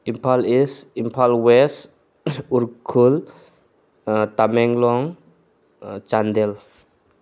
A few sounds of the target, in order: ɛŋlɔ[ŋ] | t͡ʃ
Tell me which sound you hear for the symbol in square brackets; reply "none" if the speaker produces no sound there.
ŋ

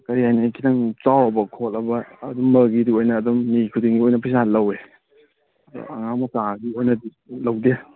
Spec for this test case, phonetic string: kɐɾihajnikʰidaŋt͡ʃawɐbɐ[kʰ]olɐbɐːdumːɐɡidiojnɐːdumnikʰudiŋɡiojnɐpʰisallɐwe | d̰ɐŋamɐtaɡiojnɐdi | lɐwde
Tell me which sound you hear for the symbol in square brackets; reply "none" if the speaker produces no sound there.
kʰ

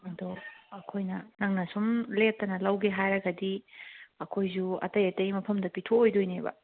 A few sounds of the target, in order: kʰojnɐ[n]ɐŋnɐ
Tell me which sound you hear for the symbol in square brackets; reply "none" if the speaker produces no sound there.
n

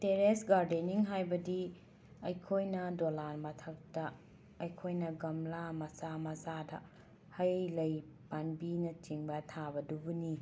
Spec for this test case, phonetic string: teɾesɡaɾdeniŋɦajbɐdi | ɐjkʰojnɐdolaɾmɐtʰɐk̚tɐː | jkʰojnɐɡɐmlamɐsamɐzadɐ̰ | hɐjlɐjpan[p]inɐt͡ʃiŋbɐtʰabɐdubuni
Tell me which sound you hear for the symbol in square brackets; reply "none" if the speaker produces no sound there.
b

